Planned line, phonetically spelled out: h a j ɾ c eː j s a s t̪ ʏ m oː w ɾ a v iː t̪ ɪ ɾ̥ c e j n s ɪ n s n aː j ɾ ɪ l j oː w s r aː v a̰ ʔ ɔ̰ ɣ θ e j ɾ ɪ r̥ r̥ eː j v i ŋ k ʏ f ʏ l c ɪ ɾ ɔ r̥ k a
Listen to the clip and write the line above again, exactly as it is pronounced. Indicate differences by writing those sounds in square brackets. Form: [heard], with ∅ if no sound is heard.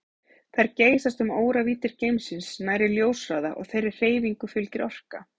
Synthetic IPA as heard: [θ] a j ɾ c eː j s a s t̪ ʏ m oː w ɾ a v iː t̪ ɪ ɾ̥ c e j [m] s ɪ n s n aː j ɾ ɪ l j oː w s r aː [ð] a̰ ʔ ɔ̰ ɣ θ e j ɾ ɪ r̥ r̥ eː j v i ŋ k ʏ f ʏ l c ɪ ɾ ɔ r̥ k a